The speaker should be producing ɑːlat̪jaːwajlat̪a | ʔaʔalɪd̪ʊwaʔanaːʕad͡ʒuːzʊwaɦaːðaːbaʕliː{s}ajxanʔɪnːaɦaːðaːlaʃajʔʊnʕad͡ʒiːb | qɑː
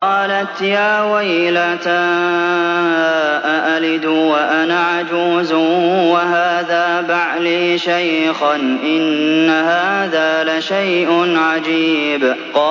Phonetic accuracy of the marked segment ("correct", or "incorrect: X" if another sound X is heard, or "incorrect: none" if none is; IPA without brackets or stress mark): incorrect: ʃ